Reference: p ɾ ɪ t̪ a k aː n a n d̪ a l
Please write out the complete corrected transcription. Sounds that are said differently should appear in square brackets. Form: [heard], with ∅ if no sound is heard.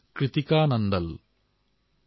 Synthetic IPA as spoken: [k] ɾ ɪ t̪ [i] k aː n [ɐ] n d̪ [ɐ] l

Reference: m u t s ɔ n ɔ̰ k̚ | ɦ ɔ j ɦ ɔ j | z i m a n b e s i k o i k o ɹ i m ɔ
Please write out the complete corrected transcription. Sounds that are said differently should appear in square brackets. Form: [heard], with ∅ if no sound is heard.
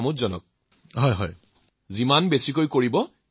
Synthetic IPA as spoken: m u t [z] ɔ n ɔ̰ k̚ | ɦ ɔ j ɦ ɔ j | z i m a n b e s i k o [j] k o ɹ i [b] ɔ

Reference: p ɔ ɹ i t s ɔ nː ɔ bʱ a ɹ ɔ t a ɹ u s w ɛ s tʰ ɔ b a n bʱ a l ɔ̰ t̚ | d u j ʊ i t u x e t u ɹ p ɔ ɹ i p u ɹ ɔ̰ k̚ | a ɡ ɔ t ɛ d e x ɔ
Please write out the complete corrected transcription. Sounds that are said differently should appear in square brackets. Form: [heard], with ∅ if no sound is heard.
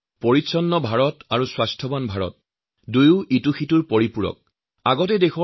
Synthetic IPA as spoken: p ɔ ɹ i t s ɔ nː ɔ bʱ a ɹ ɔ t a ɹ u s w [a] s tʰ ɔ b a n bʱ a [ɹ] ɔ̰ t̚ | d u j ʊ i t u x [i] t u ɹ p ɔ ɹ i p u ɹ ɔ̰ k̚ | a ɡ ɔ t ɛ d e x ɔ

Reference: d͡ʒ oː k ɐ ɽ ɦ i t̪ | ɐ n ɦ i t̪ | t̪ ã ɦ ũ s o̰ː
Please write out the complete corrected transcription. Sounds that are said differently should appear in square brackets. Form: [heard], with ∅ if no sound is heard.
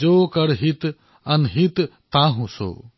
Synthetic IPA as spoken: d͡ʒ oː k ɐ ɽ ɦ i t̪ | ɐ n ɦ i t̪ | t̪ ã ɦ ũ s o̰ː

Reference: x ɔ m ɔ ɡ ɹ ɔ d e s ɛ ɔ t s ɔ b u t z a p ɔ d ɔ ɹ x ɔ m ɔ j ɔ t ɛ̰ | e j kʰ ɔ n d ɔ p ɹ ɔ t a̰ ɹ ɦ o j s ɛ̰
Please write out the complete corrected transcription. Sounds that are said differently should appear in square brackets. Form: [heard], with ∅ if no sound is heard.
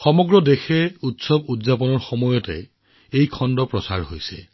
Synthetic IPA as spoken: x ɔ m ɔ ɡ ɹ ɔ d e [x] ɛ [u] t s ɔ b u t z a p ɔ [n] ɔ ɹ x ɔ m ɔ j ɔ t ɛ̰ | e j kʰ ɔ n d ɔ p ɹ ɔ [s] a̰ ɹ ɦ o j s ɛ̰

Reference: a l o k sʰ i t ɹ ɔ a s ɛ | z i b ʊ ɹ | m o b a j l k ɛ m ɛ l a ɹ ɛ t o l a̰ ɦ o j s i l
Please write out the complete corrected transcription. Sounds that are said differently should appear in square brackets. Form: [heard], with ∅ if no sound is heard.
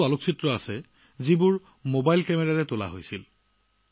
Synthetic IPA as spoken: a l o k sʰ i t ɹ ɔ a s ɛ | z i b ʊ ɹ | m o b a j l k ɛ m ɛ [ɹ] a ɹ ɛ t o l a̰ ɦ o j s i l

